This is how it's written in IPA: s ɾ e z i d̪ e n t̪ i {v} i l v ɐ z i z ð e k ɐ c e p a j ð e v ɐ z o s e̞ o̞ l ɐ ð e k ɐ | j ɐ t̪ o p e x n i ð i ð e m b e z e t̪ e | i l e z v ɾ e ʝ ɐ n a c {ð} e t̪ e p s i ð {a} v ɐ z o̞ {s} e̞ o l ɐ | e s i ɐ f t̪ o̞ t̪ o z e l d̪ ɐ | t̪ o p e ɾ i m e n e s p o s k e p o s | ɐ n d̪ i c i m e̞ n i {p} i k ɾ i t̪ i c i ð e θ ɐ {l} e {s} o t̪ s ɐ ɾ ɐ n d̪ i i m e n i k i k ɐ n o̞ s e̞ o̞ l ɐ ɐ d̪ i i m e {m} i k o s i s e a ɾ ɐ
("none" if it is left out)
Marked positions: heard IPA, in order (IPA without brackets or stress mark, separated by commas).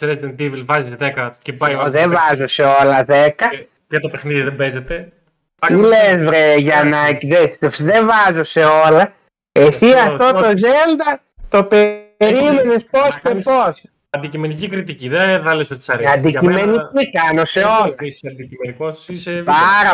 v, ð, e, s, c, l, s, n